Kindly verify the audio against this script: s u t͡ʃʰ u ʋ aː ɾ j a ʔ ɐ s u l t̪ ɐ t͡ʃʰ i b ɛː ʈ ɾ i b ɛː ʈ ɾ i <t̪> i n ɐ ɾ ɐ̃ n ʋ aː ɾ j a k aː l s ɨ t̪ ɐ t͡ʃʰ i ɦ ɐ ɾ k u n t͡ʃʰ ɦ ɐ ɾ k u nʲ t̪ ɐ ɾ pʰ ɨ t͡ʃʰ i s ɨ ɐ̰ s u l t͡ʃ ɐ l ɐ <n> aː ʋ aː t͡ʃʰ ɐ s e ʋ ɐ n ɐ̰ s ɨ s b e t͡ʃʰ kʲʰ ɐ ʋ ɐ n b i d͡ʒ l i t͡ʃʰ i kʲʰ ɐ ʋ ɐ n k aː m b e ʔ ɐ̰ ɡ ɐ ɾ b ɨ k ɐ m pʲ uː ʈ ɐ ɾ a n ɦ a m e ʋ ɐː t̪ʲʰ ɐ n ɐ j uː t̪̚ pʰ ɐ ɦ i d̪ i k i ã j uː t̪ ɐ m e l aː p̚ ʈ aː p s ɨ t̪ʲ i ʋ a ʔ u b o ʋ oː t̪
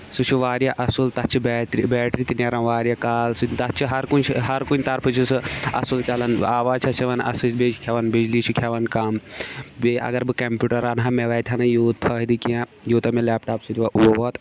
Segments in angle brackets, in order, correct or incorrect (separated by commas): correct, correct